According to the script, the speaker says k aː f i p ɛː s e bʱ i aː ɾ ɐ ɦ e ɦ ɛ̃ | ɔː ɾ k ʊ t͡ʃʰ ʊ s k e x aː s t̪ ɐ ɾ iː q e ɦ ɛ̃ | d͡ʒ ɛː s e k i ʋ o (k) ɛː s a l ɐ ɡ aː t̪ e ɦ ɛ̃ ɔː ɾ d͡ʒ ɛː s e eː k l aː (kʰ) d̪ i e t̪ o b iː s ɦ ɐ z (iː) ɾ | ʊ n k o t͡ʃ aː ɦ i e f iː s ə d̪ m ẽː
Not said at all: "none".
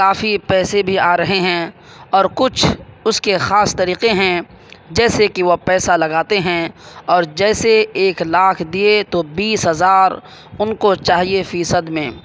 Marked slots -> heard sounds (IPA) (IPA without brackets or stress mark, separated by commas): p, kʰ, aː